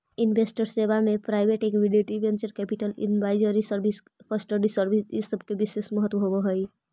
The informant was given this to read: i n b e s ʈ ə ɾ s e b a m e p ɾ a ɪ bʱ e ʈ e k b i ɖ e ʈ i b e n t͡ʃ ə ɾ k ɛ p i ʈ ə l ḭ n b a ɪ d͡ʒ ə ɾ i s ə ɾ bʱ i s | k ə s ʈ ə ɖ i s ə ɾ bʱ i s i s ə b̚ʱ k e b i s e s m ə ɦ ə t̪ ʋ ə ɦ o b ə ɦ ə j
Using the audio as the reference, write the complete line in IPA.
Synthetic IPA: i n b e s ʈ ə ɾ s e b a m e p ɾ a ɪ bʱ e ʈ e k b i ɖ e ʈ i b e n t͡ʃ ə ɾ k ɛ p i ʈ ə l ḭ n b a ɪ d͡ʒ ə ɾ i s ə ɾ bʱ i s | k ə s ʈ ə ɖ i s ə ɾ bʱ i s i s ə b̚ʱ k e b i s e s m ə ɦ ə t̪ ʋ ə ɦ o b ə ɦ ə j